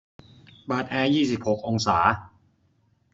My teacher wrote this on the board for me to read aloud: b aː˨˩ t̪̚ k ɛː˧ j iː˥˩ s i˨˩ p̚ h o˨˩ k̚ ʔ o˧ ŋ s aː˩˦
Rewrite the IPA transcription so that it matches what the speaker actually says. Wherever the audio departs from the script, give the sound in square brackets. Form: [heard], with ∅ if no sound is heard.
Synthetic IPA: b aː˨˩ t̪̚ [ʔ] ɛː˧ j iː˥˩ s i˨˩ p̚ h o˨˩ k̚ ʔ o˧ ŋ s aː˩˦